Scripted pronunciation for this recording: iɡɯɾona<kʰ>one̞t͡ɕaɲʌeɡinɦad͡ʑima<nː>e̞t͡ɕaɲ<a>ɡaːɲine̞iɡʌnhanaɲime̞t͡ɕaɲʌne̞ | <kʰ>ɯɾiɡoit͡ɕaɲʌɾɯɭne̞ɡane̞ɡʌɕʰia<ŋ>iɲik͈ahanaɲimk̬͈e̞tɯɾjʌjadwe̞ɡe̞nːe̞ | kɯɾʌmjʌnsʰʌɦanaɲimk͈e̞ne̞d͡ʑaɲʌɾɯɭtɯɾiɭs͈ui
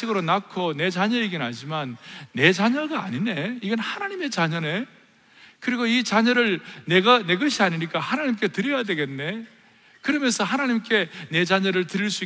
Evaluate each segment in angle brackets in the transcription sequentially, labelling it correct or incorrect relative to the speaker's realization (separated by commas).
correct, correct, incorrect, incorrect, incorrect